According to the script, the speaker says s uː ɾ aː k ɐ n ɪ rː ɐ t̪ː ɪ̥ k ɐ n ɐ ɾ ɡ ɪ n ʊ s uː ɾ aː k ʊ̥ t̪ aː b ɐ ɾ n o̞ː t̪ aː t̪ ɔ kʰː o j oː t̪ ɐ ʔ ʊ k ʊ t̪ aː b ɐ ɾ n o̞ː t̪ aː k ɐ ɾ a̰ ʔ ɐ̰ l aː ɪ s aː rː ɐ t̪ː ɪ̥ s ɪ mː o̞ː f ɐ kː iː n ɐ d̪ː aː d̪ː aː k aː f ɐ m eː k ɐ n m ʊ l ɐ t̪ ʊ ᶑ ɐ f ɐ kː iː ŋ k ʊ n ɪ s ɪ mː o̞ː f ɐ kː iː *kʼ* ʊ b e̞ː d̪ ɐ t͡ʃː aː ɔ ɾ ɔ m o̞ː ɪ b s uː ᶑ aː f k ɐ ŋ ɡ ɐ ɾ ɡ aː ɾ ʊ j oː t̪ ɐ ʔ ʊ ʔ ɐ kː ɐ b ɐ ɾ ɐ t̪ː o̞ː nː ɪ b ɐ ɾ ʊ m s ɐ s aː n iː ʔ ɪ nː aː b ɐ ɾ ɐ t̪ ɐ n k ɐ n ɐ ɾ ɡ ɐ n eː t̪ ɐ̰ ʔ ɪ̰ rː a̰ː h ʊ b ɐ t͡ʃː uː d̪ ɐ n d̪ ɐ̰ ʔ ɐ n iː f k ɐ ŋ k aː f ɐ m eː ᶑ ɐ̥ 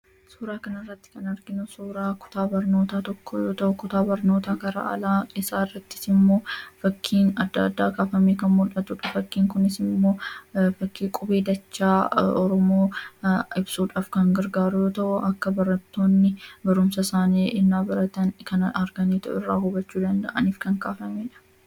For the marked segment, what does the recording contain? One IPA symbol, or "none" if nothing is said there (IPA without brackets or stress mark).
kʼ